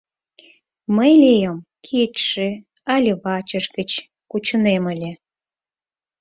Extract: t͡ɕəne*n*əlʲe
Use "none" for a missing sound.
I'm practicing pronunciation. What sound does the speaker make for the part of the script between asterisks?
m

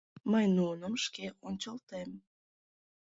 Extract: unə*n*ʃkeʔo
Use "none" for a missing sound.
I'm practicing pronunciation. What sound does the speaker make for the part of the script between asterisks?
m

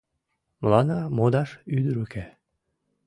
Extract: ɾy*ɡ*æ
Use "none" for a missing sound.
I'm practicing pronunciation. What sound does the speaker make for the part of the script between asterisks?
k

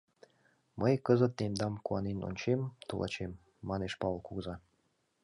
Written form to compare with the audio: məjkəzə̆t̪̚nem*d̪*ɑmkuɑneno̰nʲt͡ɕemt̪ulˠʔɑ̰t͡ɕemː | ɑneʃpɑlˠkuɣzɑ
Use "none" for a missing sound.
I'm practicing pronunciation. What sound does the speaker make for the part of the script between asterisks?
d̪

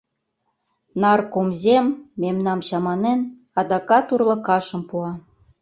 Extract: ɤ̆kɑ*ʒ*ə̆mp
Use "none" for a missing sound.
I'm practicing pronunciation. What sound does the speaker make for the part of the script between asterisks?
ʃ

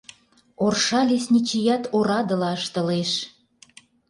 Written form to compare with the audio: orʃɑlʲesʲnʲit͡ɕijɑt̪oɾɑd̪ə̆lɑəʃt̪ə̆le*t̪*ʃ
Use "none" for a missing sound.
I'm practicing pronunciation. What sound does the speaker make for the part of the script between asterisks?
none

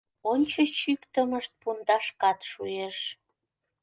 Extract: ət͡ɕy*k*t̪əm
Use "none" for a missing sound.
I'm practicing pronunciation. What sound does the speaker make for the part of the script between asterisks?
k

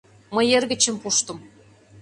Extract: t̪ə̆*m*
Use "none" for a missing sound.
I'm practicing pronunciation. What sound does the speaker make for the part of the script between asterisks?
m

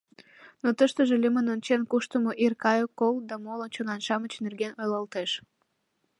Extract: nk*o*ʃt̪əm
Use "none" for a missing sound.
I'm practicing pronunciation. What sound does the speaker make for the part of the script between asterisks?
u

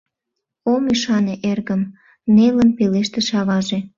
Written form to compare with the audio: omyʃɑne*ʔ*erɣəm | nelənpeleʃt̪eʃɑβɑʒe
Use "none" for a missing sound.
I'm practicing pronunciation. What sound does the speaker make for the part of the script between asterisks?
ʔ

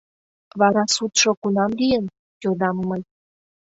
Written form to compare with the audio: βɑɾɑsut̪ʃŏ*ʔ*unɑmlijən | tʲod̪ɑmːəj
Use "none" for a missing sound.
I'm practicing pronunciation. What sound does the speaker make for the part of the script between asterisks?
k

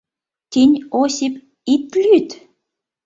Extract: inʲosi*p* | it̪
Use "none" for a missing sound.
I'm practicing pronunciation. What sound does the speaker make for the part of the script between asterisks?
p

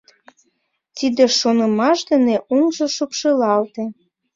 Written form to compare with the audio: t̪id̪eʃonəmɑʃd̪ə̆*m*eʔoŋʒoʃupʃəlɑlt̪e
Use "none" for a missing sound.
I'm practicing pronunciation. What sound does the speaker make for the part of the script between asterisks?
n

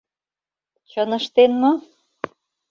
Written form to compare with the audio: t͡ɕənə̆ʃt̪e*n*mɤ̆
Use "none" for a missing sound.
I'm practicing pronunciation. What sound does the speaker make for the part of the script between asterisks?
n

